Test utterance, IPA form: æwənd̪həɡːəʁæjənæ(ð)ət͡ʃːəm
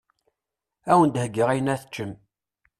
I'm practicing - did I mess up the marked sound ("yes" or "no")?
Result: yes